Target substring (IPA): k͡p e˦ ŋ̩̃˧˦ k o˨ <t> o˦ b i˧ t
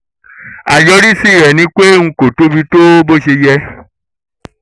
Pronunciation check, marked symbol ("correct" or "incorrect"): correct